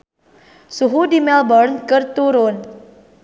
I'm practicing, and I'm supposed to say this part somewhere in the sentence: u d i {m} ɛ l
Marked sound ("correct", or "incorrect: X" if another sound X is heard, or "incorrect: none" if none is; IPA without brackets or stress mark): correct